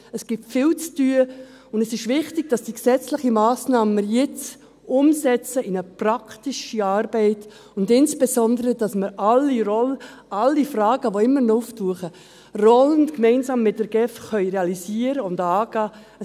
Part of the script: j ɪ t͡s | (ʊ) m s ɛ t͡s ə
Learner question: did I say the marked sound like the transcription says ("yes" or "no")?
yes